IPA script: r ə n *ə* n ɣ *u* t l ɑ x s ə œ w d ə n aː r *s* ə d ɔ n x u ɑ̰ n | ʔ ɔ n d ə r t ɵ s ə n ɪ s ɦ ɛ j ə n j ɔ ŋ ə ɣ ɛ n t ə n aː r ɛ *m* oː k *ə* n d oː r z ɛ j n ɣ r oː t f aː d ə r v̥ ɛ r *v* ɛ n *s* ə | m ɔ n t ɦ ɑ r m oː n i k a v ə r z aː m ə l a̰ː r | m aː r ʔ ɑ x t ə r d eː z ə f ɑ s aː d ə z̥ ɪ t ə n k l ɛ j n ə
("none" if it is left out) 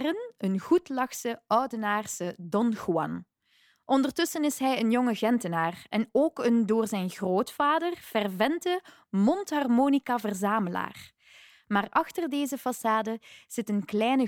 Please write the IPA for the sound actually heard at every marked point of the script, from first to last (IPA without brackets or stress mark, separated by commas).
ə, u, s, n, ə, v, t